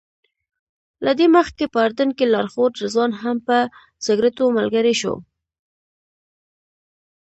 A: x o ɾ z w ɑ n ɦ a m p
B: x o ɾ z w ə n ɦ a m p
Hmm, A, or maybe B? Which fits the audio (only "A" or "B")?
A